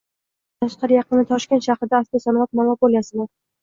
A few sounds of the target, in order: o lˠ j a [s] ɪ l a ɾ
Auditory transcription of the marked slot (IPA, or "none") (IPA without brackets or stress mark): s